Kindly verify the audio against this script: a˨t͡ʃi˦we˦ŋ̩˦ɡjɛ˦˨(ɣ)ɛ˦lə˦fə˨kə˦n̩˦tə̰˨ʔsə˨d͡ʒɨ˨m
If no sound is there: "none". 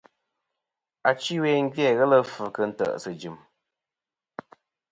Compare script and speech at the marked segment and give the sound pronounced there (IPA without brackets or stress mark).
ɣ